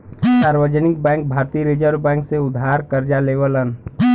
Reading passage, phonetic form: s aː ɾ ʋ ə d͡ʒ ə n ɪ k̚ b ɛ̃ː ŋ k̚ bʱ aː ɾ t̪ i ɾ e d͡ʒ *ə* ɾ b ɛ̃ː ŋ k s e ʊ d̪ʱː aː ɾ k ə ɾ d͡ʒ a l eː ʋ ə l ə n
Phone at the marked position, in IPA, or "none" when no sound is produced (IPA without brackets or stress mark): ə